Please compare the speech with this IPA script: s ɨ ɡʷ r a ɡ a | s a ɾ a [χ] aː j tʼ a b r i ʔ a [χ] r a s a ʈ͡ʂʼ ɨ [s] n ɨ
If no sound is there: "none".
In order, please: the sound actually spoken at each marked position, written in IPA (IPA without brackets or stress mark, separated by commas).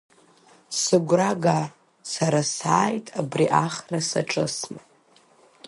s, χ, s